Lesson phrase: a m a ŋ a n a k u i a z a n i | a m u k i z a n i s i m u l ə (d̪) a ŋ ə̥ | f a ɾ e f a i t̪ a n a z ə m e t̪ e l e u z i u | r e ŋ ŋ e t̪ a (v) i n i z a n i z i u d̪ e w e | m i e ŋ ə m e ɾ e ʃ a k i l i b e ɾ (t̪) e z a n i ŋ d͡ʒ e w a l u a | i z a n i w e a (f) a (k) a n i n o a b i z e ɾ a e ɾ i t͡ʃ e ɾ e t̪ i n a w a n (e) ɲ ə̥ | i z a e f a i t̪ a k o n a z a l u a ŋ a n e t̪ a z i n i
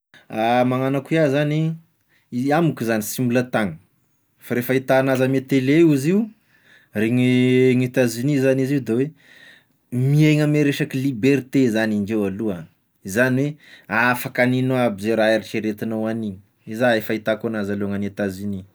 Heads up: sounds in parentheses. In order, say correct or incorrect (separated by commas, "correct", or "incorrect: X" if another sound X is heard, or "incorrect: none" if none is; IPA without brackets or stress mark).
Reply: incorrect: t̪, incorrect: z, correct, correct, correct, incorrect: i